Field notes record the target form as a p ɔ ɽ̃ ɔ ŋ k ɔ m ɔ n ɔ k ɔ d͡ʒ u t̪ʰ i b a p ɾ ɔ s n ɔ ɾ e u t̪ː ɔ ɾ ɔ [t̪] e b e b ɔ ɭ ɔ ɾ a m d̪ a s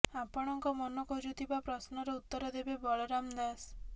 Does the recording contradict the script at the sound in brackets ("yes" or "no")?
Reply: yes